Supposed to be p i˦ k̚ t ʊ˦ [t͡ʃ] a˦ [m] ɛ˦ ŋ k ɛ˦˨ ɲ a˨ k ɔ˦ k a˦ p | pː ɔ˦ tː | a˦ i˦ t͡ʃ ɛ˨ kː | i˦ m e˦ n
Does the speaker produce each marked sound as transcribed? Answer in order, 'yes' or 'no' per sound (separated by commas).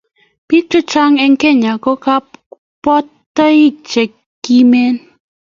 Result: yes, no